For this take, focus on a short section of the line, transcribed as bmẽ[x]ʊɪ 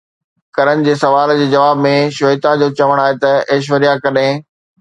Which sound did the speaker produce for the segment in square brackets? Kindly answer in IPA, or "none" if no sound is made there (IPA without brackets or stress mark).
ʃ